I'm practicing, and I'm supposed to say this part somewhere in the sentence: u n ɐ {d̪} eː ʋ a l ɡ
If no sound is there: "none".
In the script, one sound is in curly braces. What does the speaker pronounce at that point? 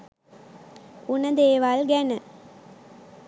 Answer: d̪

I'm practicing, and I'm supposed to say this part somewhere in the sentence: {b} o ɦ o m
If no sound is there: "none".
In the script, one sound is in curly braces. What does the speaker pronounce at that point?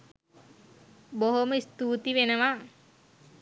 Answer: b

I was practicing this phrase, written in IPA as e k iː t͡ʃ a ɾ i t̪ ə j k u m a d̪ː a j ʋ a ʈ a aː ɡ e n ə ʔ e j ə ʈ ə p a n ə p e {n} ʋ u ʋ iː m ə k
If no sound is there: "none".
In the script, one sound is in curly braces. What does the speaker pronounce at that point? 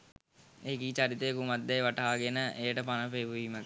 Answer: none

